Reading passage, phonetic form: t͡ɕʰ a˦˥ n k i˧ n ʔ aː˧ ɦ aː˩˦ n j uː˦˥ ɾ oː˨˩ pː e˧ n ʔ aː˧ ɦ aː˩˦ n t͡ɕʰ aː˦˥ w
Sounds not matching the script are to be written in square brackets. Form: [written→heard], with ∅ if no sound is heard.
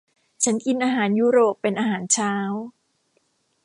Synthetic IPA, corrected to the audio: t͡ɕʰ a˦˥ n k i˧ n ʔ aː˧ ɦ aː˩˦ n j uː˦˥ ɾ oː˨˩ pː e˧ n ʔ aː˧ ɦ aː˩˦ n t͡ɕʰ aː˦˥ w

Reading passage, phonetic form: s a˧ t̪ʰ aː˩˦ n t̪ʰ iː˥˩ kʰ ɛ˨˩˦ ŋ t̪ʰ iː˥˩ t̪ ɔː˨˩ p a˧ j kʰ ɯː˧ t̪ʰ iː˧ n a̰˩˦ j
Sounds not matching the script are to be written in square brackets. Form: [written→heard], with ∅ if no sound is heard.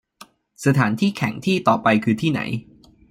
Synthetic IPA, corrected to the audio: s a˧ t̪ʰ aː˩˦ n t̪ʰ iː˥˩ kʰ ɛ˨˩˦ ŋ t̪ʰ iː˥˩ t̪ ɔː˨˩ p a˧ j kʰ ɯː˧ t̪ʰ [iː˧→iː˥˩] n a̰˩˦ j

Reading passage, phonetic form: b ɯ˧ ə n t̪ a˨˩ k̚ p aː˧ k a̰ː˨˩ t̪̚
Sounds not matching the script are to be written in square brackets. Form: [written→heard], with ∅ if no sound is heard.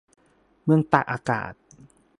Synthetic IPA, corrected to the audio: [b→m] ɯ˧ ə [n→ŋ] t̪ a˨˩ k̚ [p→ʔ] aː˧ k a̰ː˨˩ t̪̚

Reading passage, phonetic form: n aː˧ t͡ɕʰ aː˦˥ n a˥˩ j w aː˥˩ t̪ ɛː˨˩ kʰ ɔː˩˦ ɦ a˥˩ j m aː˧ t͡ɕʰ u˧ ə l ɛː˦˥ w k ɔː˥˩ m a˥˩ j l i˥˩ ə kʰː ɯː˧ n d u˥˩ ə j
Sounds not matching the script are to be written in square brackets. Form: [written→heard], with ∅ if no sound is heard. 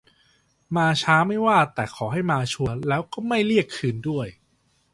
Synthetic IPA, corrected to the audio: [n→m] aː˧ t͡ɕʰ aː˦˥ [n→m] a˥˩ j w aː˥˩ t̪ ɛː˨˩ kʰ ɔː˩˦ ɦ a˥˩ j m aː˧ t͡ɕʰ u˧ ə l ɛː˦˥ w k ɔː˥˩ m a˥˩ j l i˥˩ ə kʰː ɯː˧ n d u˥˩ ə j

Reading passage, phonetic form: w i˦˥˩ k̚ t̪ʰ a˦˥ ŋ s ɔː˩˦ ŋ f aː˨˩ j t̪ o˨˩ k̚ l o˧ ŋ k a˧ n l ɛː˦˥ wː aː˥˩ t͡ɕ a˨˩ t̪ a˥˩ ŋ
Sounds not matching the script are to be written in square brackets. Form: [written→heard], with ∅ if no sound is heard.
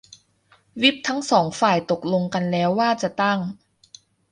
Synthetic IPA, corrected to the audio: w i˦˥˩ [k̚→p̚] t̪ʰ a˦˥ ŋ s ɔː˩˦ ŋ f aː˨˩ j t̪ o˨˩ k̚ l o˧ ŋ k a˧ n l ɛː˦˥ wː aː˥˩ t͡ɕ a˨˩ t̪ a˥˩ ŋ

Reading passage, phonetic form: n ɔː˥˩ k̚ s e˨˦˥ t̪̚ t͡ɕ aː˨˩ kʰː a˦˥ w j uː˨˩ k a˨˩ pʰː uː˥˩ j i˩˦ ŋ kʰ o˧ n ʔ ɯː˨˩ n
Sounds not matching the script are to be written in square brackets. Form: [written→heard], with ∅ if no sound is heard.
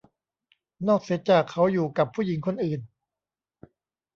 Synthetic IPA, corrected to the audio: n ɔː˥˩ k̚ s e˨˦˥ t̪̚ t͡ɕ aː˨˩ kʰː a˦˥ w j uː˨˩ k a˨˩ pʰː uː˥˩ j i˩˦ ŋ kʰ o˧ n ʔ ɯː˨˩ n

